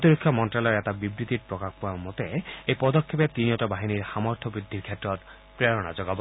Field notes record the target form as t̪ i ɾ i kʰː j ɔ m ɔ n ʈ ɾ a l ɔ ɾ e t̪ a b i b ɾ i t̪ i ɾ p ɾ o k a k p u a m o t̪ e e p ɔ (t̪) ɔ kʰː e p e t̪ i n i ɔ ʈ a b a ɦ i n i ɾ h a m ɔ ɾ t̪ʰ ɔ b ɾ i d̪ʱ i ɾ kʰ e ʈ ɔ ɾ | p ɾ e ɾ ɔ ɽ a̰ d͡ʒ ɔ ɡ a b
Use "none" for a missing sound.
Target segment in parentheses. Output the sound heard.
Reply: d̪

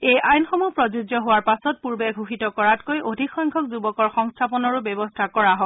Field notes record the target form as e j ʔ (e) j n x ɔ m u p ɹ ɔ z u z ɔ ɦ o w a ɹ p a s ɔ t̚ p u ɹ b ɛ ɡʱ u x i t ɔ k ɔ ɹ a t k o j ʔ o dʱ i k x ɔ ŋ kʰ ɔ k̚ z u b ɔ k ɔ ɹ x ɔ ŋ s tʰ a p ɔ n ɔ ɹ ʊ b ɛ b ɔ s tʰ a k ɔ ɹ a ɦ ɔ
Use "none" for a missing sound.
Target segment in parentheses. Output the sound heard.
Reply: a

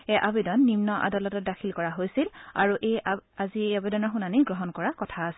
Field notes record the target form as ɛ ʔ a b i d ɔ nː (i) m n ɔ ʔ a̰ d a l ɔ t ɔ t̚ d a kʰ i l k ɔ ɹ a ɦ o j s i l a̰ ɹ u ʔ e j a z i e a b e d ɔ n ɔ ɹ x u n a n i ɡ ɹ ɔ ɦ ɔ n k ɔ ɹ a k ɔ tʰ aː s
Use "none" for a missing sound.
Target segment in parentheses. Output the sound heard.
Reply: i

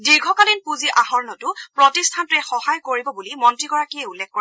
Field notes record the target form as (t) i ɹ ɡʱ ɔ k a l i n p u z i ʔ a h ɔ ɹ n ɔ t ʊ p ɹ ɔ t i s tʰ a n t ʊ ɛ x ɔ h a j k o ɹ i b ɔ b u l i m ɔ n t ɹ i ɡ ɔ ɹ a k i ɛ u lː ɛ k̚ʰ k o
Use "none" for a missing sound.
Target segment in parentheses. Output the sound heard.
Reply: d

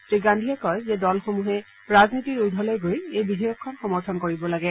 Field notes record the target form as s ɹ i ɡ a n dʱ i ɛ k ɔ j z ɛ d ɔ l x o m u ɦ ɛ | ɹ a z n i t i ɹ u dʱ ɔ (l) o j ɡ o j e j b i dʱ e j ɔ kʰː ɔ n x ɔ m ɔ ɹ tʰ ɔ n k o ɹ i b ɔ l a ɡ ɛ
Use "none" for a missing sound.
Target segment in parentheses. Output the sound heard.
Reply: l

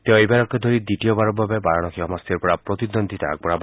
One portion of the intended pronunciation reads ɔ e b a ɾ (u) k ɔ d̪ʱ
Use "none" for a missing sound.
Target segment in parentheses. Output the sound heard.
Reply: ɔ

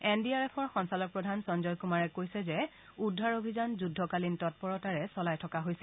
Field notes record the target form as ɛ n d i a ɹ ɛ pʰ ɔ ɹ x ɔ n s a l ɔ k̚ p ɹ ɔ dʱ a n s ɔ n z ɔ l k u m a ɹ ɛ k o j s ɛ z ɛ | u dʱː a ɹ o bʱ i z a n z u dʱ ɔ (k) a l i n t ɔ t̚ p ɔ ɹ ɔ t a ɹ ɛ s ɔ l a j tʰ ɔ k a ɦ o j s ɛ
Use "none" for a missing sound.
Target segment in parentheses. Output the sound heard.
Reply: k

